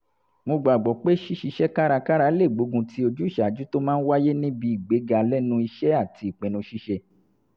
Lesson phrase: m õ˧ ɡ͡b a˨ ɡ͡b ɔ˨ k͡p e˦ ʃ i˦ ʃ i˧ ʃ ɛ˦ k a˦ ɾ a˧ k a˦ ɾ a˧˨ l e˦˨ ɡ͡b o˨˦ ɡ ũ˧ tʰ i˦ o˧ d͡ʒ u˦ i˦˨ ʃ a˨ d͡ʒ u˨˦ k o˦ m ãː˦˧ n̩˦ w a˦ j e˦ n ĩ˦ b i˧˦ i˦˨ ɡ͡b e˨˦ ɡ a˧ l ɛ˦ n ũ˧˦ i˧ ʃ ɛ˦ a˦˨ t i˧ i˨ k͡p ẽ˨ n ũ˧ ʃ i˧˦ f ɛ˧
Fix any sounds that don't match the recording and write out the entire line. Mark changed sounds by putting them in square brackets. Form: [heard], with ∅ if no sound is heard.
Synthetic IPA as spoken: m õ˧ ɡ͡b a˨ ɡ͡b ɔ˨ k͡p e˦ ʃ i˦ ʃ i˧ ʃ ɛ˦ k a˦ ɾ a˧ k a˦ ɾ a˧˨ l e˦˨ ɡ͡b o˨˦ ɡ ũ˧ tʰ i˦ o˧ d͡ʒ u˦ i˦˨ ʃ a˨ d͡ʒ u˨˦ [t] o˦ m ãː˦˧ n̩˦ w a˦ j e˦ n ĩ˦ b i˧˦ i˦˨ ɡ͡b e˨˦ ɡ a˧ l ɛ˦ n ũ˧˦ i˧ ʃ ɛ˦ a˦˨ t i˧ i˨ k͡p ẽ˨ n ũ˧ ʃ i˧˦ [ʃ] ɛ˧